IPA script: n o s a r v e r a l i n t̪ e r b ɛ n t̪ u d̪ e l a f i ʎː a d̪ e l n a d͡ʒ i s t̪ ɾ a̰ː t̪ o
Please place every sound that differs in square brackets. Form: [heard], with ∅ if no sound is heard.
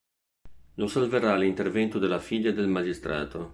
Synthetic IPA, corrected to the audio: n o s a [l] v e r a l i n t̪ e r [v] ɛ n t̪ u d̪ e l a f i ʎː a d̪ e l [m] a d͡ʒ i s t̪ ɾ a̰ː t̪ o